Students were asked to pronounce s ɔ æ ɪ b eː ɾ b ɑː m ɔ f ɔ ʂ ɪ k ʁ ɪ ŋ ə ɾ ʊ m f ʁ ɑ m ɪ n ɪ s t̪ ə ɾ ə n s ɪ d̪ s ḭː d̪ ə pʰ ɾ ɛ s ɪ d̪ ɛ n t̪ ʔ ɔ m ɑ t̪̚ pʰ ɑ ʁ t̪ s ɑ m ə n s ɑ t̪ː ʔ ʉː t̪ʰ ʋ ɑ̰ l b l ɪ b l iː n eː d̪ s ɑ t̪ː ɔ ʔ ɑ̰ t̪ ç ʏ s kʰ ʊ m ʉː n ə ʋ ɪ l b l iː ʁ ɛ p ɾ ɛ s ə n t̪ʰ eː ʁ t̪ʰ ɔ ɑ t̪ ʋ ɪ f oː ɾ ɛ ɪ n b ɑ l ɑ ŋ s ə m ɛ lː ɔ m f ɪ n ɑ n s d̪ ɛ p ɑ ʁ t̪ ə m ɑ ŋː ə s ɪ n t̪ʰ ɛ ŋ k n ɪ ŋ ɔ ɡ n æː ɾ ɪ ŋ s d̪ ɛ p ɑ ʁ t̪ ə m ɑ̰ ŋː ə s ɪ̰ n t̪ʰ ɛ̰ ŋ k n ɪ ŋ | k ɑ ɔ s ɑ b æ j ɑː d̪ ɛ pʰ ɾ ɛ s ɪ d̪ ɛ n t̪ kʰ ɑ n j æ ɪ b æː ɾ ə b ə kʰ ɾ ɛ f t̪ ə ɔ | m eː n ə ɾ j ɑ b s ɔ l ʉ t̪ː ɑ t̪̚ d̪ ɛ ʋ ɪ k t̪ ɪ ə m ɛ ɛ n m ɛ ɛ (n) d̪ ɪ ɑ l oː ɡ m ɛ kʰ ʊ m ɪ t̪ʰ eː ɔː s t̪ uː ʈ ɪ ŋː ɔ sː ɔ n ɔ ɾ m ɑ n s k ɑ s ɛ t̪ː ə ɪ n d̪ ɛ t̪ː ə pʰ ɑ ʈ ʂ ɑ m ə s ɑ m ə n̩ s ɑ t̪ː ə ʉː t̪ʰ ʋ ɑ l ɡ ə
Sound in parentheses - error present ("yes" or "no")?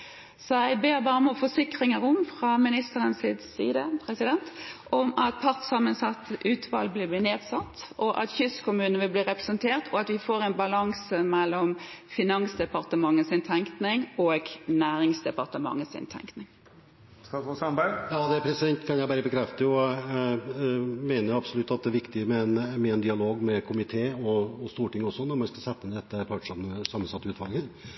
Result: no